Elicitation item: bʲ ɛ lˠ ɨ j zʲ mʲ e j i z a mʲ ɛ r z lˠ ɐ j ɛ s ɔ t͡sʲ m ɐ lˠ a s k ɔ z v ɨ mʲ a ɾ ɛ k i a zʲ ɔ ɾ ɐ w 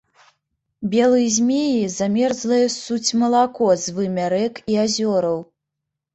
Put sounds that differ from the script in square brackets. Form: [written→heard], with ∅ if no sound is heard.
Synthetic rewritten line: bʲ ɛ lˠ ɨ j zʲ mʲ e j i z a mʲ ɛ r z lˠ ɐ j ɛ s [ɔ→u] t͡sʲ m ɐ lˠ a [s→∅] k ɔ z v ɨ mʲ a ɾ ɛ k i a zʲ ɔ ɾ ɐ w